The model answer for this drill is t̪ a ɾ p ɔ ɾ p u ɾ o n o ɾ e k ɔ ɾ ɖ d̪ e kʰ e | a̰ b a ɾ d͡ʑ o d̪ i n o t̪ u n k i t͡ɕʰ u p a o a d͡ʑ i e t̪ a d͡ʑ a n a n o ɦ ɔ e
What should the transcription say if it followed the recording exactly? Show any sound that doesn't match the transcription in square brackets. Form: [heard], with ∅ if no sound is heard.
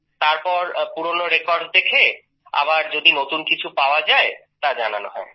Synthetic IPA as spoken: t̪ a ɾ p ɔ ɾ p u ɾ o n o ɾ e k ɔ ɾ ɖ d̪ e kʰ e | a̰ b a ɾ d͡ʑ o d̪ i n o t̪ u n k i t͡ɕʰ u p a o a d͡ʑ [a] e t̪ a d͡ʑ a n a n o ɦ ɔ e